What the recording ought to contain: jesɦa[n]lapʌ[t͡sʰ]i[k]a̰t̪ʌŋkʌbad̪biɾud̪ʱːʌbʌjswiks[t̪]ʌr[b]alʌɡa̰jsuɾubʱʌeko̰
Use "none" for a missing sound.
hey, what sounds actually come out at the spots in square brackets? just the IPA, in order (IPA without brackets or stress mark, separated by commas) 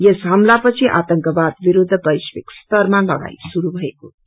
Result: m, t͡sʰ, ʔ, t̪, m